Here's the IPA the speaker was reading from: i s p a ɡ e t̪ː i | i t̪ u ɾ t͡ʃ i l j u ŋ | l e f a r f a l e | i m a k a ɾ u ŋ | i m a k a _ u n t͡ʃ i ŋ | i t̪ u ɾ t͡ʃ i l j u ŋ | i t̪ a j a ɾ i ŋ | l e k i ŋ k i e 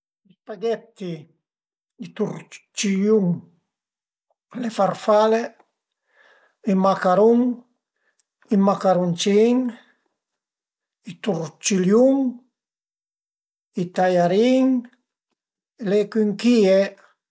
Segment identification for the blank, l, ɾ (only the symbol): ɾ